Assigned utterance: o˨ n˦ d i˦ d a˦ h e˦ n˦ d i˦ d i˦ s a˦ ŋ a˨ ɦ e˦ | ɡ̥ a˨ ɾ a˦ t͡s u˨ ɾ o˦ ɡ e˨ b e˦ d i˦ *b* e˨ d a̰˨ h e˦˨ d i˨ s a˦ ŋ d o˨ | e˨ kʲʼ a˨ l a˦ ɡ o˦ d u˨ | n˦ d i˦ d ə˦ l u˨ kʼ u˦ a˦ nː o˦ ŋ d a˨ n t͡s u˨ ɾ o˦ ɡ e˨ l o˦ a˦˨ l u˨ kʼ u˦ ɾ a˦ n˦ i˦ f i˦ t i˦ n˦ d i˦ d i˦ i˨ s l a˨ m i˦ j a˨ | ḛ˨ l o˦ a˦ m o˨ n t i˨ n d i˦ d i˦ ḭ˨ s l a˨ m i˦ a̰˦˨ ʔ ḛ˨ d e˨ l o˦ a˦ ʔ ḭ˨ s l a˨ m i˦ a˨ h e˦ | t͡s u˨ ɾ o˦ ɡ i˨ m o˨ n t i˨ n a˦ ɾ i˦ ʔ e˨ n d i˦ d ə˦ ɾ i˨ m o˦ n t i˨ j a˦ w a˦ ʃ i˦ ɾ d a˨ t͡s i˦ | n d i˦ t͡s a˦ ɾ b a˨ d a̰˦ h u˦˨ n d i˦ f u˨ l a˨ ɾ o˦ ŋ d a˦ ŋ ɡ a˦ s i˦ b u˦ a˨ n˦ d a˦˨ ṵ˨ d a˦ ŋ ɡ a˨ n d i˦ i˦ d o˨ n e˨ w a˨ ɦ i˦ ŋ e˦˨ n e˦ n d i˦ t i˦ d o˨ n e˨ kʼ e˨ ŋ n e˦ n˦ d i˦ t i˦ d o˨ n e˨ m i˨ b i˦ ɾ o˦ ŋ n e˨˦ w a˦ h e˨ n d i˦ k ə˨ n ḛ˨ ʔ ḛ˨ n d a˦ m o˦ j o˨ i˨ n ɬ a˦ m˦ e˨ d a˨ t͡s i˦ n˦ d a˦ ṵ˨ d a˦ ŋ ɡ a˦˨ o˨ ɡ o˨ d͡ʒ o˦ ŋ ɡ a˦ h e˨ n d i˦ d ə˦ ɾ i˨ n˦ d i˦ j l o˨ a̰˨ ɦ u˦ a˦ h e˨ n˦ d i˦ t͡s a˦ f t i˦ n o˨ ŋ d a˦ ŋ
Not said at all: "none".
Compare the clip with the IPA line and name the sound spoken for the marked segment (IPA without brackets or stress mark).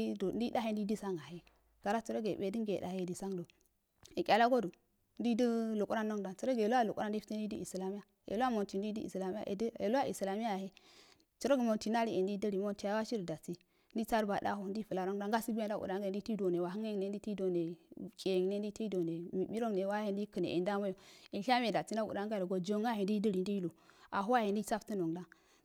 ɡ